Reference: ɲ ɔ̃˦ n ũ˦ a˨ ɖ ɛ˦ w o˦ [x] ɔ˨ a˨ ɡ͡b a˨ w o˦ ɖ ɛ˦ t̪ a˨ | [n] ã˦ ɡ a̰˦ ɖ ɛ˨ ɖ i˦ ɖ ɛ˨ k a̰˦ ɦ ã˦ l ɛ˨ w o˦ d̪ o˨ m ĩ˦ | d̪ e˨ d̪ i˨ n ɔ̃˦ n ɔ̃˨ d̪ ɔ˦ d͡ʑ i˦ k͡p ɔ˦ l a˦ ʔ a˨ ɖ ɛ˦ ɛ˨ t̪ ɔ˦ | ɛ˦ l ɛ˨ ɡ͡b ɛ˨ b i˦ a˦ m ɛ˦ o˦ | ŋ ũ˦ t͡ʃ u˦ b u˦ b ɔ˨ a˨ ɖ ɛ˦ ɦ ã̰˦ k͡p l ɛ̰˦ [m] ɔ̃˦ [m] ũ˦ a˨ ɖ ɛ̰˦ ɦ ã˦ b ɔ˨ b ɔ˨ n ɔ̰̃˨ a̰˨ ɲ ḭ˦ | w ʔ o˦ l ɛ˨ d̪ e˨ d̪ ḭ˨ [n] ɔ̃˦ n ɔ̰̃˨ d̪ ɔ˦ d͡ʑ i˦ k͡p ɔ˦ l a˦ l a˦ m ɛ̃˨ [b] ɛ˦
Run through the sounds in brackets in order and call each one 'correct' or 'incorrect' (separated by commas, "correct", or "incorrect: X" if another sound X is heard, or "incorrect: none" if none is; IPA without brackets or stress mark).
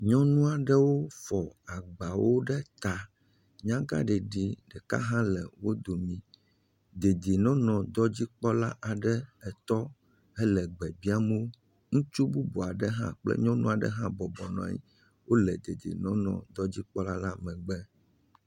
incorrect: f, incorrect: ɲ, incorrect: ɲ, incorrect: n, correct, incorrect: ɡ͡b